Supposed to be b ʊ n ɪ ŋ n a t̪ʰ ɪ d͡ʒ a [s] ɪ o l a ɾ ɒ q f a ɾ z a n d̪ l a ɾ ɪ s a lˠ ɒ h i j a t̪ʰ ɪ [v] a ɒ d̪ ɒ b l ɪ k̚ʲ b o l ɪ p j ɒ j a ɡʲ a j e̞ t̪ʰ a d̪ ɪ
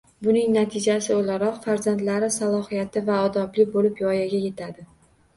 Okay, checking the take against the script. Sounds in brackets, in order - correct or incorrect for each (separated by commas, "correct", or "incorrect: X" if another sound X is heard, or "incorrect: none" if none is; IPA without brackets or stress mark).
correct, correct